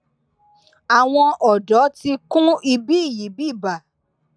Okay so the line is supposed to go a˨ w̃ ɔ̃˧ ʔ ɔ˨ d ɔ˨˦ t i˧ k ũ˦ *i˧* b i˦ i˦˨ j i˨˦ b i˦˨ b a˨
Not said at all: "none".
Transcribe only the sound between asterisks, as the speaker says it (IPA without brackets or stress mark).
i˧